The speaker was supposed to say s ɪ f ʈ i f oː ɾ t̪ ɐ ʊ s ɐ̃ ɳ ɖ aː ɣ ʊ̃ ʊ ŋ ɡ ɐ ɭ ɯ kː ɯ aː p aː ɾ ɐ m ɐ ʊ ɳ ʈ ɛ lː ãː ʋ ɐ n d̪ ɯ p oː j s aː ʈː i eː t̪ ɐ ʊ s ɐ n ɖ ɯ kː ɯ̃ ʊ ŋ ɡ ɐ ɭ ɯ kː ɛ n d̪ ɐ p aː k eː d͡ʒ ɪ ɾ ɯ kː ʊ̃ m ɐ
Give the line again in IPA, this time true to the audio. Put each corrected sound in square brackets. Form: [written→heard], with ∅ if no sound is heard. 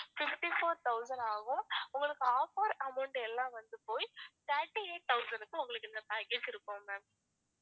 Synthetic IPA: [s→f] ɪ f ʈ i f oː ɾ t̪ ɐ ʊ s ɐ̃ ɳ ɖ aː ɣ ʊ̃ ʊ ŋ ɡ ɐ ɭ ɯ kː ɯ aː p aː ɾ ɐ m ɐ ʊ ɳ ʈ ɛ lː ãː ʋ ɐ n d̪ ɯ p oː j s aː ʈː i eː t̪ ɐ ʊ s ɐ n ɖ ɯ kː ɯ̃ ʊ ŋ ɡ ɐ ɭ ɯ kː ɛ n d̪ ɐ p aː k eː d͡ʒ ɪ ɾ ɯ kː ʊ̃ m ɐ